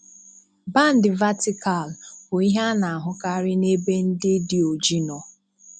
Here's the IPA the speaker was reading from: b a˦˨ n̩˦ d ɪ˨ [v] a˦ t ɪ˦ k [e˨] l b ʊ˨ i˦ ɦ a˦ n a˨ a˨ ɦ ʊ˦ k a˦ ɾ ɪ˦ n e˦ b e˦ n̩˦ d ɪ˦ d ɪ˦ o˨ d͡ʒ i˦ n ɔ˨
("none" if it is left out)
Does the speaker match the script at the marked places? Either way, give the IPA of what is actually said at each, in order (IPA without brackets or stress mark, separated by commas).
v, a˨